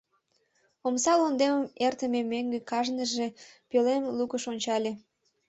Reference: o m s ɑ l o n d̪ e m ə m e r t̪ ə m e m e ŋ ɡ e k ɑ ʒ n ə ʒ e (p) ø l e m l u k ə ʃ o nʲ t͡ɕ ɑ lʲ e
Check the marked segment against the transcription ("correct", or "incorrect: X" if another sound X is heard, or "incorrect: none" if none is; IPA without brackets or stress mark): correct